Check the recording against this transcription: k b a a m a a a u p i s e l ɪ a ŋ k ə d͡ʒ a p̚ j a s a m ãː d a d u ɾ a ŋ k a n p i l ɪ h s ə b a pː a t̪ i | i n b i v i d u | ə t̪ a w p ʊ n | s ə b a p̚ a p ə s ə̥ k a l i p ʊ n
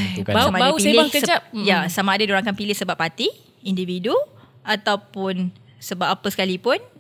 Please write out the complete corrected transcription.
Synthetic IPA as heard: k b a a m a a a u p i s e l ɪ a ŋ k ə d͡ʒ a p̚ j a s a m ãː d a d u ɾ a ŋ k a n p i l ɪ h s ə b a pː a t̪ i | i n d i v i d u | a t̪ a w p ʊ n | s ə b a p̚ a p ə s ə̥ k a l i p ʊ n